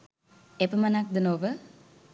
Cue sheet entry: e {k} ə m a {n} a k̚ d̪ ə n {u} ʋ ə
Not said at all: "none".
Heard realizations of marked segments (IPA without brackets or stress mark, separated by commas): p, n, o